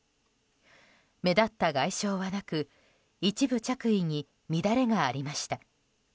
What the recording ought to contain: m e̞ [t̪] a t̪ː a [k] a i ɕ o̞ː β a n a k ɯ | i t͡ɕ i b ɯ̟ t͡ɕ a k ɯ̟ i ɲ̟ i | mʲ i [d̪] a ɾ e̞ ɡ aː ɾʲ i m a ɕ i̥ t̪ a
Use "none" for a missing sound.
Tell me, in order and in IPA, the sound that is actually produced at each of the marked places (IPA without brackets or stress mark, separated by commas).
d̪, ɡ, d̪